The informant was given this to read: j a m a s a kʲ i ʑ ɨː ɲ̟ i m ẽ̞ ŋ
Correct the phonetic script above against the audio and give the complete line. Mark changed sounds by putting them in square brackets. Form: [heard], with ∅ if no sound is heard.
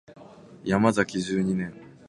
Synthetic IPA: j a m a [z] a kʲ i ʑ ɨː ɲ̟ i [n] ẽ̞ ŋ